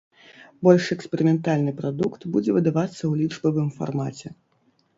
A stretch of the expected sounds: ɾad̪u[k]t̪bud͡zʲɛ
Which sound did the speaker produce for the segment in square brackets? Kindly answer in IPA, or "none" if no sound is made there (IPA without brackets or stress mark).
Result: k